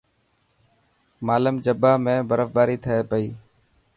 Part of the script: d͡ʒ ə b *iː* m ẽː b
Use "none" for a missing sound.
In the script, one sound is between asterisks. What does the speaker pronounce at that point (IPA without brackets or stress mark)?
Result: aː